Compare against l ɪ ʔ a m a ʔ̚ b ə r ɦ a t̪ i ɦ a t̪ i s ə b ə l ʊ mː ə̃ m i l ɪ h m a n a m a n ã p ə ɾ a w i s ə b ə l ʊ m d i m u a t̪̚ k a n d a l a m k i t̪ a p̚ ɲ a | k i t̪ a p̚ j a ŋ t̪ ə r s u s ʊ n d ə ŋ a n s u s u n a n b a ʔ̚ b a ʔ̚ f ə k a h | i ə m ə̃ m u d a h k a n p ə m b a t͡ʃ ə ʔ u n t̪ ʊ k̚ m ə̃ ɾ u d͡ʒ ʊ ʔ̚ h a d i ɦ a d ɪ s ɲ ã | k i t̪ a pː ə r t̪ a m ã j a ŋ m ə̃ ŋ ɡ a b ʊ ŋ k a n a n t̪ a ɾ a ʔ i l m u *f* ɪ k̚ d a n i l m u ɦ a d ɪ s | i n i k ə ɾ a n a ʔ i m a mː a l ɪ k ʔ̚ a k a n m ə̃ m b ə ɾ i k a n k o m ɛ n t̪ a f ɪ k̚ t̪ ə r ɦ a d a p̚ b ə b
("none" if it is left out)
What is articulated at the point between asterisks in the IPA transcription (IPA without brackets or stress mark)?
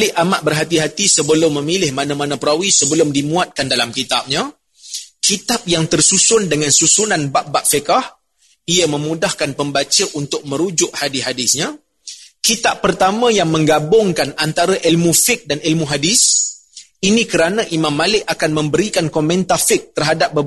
f